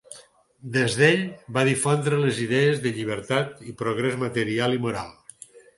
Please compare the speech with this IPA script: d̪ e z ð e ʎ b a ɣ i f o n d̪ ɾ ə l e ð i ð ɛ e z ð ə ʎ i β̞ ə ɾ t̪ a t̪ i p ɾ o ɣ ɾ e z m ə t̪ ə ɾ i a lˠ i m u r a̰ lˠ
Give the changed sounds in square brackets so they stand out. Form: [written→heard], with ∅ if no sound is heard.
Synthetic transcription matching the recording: d̪ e z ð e ʎ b a [ɣ→ð] i f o n d̪ ɾ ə l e [ð→z] i ð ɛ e z ð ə ʎ i β̞ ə ɾ t̪ a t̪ i p ɾ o ɣ ɾ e z m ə t̪ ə ɾ i a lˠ i m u [r→ɾ] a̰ lˠ